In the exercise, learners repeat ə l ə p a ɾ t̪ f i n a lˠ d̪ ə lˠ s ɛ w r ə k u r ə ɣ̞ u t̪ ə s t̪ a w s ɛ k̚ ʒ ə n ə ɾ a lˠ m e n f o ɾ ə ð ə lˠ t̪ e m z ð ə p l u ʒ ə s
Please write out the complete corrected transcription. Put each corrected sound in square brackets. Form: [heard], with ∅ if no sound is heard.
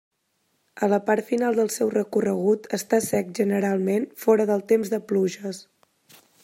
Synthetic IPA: ə l ə p a ɾ t̪ f i n a lˠ d̪ ə lˠ s ɛ w r ə k u r ə ɣ̞ u t̪ ə s t̪ a [∅] s ɛ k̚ ʒ ə n ə ɾ a lˠ m e n f [ɔ] ɾ ə ð ə lˠ t̪ e m z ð ə p l u ʒ ə s

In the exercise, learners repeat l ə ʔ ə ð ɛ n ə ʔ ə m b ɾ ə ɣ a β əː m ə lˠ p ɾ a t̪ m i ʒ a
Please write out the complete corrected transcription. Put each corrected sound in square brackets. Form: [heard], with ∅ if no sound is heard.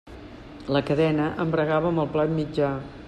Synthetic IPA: l ə [k] ə ð ɛ n ə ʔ ə m b ɾ ə ɣ a β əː m ə lˠ p [l] a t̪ m i [d͡ʒ] a

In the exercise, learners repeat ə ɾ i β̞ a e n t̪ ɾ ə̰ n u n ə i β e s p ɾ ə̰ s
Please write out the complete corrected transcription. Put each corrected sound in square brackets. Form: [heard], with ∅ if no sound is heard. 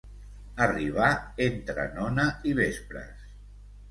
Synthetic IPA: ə [r] i β̞ a e n t̪ ɾ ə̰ n [ɔ] n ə i β e s p ɾ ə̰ s

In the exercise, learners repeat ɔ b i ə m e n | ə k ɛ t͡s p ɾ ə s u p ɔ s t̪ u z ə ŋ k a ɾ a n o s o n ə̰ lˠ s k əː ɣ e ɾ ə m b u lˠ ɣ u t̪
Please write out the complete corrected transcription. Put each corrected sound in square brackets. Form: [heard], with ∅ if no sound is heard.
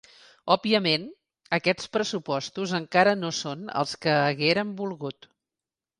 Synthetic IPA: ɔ b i ə m e n | ə k ɛ t͡s p ɾ ə s u p ɔ s t̪ u z ə ŋ k a ɾ [ə] n o s o n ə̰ lˠ s k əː ɣ e ɾ ə m b u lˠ ɣ u t̪

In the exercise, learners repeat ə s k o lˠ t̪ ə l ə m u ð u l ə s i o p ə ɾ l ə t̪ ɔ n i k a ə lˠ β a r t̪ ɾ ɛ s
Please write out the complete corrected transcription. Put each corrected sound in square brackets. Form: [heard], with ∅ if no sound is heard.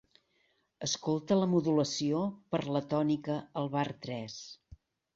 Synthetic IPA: ə s k o lˠ t̪ ə l ə m u ð u l ə s i o p ə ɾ l ə t̪ ɔ n i k [ə] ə lˠ β a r t̪ ɾ ɛ s

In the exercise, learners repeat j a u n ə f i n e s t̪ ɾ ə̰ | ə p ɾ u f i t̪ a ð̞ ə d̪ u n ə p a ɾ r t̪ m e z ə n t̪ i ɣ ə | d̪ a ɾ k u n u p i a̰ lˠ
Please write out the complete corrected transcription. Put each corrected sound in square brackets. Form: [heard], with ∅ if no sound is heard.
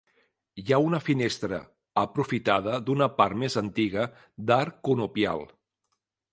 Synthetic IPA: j a u n ə f i n e s t̪ ɾ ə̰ | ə p ɾ u f i t̪ a ð̞ ə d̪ u n ə p a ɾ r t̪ m e z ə n t̪ i ɣ ə | d̪ a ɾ k u n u p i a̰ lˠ

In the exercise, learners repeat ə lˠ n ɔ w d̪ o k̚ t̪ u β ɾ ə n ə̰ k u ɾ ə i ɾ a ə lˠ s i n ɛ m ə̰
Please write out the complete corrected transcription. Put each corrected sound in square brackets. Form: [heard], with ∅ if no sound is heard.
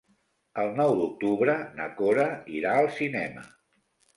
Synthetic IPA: ə lˠ n ɔ w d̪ [u] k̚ t̪ u β ɾ ə n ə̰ k [o] ɾ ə i ɾ a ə lˠ s i n ɛ m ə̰

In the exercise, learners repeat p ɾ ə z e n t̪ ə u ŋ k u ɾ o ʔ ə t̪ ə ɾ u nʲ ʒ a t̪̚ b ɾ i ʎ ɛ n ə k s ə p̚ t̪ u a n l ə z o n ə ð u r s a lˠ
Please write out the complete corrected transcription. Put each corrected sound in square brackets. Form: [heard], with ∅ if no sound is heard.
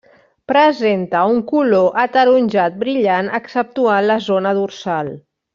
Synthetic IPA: p ɾ ə z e n t̪ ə u ŋ k u [l] o ʔ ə t̪ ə ɾ u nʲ ʒ a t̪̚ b ɾ i ʎ [a] n ə k s ə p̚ t̪ u a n l ə z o n ə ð u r s a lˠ

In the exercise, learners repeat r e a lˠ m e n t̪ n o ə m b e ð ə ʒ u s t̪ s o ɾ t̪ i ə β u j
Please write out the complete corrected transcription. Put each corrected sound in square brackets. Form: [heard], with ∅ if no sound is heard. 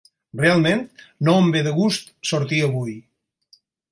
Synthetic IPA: r e a lˠ m e n t̪ n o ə m b e ð ə [ɣ] u s t̪ s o ɾ t̪ i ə β u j

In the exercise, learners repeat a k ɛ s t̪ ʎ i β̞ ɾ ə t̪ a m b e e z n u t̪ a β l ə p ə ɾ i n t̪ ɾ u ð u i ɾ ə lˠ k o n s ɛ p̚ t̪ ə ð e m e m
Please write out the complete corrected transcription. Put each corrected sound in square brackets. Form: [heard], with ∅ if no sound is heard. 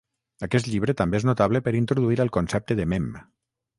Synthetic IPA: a k ɛ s t̪ ʎ i β̞ ɾ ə t̪ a m b e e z n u t̪ a β l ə p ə ɾ i n t̪ ɾ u ð u i ɾ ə lˠ k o n s ɛ p̚ t̪ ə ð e m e m

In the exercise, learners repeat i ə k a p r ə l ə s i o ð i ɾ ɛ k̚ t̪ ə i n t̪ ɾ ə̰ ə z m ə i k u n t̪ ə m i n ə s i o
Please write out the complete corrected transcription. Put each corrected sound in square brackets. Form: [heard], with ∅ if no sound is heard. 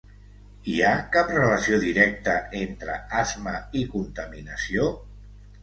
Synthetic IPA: i [a] k a p r ə l ə s i o ð i ɾ ɛ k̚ t̪ ə [e] n t̪ ɾ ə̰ [a] z m ə i k u n t̪ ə m i n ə s i o

